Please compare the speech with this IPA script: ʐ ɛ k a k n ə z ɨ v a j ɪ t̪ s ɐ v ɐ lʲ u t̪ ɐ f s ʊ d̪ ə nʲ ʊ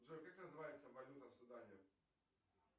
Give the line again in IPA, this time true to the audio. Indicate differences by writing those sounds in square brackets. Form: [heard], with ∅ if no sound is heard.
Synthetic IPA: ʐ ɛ k a k n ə z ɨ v a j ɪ t̪ s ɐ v ɐ lʲ u t̪ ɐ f s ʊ d̪ [a] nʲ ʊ

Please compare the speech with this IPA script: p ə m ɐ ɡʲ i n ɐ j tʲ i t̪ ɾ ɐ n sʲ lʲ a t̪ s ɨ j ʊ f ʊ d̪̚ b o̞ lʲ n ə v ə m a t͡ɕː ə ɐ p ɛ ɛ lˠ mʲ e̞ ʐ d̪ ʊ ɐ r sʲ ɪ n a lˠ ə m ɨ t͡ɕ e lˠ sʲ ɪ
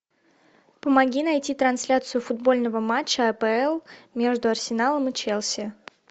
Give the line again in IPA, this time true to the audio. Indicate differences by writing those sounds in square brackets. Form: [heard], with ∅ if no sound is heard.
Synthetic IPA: p ə m ɐ ɡʲ i n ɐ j tʲ i t̪ ɾ ɐ n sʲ lʲ a t̪ s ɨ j ʊ f ʊ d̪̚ b o̞ lʲ n ə v ə m a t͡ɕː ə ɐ p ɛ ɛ lˠ mʲ e̞ ʐ d̪ ʊ ɐ r sʲ ɪ n a lˠ ə m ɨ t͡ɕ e lˠ sʲ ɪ

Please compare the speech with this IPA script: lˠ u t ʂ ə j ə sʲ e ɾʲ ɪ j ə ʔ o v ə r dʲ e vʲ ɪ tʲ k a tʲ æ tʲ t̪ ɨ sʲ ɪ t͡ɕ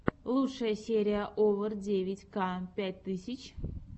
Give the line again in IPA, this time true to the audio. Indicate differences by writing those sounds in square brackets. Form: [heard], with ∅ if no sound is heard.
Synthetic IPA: lˠ u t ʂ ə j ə sʲ e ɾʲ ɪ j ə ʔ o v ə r dʲ e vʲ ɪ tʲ k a [pʲ] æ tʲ t̪ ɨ sʲ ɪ t͡ɕ

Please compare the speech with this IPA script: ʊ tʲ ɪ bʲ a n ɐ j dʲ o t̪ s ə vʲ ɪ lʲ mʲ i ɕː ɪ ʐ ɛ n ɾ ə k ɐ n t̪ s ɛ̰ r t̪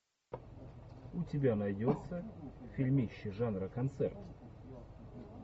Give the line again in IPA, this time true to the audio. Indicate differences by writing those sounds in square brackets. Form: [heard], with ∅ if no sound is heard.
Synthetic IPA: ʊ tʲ ɪ bʲ a n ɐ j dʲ o t̪ s ə [fʲ] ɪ lʲ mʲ i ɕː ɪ ʐ [a] n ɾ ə k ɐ n t̪ s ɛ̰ r t̪

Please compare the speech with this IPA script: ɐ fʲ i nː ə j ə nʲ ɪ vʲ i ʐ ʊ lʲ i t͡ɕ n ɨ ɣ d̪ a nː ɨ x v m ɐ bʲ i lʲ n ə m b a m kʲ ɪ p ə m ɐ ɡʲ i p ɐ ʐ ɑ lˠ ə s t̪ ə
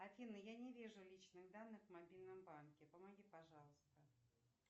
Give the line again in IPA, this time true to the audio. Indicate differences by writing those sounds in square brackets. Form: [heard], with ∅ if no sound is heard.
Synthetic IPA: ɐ fʲ i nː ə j [a] nʲ ɪ vʲ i ʐ ʊ lʲ i t͡ɕ n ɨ ɣ d̪ a nː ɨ x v m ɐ bʲ i lʲ n ə m b a [n] kʲ ɪ p ə m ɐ ɡʲ i p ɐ ʐ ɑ lˠ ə s t̪ ə

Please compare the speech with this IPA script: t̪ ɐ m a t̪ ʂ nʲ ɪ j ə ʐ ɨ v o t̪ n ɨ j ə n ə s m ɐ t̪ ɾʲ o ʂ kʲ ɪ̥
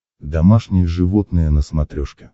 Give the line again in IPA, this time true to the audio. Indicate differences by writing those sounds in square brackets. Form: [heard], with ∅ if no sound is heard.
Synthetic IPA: [d̪] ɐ m a [∅] ʂ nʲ ɪ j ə ʐ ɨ v o t̪ n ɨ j ə n ə s m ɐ t̪ ɾʲ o ʂ kʲ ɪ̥

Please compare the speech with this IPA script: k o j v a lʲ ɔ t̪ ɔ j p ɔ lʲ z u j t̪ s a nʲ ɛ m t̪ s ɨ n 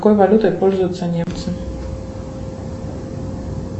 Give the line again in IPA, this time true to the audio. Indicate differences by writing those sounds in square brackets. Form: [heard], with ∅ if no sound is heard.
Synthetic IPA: k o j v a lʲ [u] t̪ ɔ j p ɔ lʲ z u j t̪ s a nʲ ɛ m t̪ s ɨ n

